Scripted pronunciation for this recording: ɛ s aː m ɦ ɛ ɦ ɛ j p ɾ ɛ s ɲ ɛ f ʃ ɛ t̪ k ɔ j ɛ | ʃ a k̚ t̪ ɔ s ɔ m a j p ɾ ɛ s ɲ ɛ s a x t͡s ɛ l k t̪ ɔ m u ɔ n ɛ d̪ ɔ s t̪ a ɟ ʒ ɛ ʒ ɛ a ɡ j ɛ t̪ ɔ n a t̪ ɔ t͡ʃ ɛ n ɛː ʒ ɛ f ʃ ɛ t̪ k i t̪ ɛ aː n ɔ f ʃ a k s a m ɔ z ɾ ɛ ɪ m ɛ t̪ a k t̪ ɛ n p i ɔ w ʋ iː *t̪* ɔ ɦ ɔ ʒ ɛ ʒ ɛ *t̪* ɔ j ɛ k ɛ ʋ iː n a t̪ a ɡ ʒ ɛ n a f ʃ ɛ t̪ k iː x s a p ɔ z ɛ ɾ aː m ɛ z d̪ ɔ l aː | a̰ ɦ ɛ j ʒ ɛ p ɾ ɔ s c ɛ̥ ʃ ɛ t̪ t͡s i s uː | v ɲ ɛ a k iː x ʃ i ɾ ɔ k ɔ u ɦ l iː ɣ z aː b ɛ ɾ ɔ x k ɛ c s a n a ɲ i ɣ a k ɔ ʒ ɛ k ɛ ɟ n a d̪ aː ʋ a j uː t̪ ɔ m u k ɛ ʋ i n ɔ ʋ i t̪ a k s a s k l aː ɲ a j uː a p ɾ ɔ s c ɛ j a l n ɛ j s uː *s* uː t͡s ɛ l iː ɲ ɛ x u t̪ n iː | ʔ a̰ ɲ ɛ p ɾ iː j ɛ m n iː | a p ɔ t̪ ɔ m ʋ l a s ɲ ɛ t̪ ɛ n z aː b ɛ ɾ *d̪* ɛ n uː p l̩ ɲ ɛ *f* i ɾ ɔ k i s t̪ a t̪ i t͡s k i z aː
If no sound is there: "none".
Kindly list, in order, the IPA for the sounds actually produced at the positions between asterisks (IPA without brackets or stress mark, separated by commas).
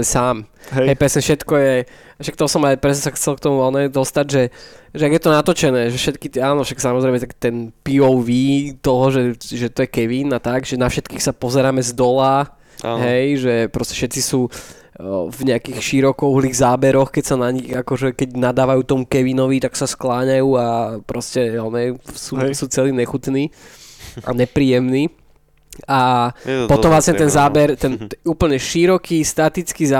t̪, t̪, s, t̪, ʃ